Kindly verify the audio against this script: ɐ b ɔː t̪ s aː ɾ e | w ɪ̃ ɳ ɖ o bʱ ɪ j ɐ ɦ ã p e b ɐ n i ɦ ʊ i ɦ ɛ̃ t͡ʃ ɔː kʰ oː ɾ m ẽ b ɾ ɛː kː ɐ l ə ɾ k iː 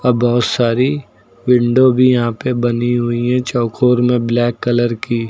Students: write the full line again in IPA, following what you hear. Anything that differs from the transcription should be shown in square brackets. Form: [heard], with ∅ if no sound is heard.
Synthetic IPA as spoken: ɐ b ɔː t̪ s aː ɾ [i] | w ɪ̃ ɳ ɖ o bʱ [i] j ɐ ɦ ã p e b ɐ n i ɦ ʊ i ɦ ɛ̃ t͡ʃ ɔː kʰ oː ɾ m ẽ b [l] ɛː kː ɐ l ə ɾ k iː